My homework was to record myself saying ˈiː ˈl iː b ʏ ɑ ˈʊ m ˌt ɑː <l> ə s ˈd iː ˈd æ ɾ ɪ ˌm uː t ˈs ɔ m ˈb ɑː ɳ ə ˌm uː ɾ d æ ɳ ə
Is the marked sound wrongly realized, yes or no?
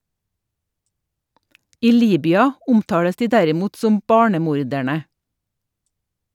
yes